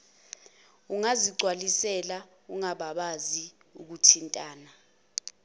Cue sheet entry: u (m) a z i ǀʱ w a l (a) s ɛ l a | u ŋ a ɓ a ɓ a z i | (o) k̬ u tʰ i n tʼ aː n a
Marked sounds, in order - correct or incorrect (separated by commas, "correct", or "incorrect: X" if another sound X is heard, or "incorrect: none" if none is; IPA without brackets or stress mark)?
incorrect: ŋ, incorrect: i, incorrect: u